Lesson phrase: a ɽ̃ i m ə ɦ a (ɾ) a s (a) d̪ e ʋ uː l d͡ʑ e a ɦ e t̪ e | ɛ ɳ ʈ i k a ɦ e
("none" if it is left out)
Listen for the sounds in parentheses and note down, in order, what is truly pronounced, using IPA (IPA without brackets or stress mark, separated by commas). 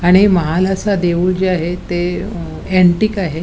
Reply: l, a